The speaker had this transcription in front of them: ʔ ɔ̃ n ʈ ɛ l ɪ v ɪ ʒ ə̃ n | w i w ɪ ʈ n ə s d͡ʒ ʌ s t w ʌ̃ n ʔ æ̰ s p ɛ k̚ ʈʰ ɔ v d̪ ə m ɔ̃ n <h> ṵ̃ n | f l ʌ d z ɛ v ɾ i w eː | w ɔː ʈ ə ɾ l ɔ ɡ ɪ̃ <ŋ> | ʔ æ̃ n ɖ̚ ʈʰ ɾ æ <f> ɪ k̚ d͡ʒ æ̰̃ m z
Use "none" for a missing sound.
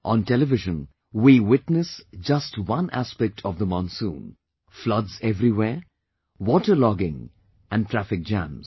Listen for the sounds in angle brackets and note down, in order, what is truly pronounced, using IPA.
s, ŋ, f

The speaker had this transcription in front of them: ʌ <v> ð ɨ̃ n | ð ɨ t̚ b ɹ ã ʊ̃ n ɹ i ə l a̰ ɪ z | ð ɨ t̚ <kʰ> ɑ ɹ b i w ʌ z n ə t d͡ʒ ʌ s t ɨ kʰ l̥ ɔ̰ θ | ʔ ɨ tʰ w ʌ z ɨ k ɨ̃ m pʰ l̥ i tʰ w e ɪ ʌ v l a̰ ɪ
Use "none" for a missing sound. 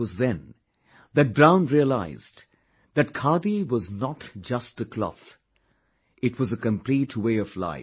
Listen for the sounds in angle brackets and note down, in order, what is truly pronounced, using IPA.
z, kʰ

